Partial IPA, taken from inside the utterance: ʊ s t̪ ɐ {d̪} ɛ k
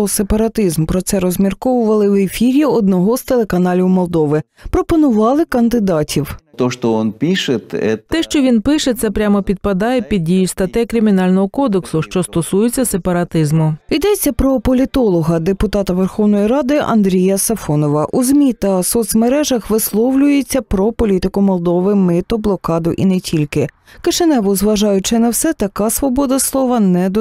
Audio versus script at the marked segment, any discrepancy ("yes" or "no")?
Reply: yes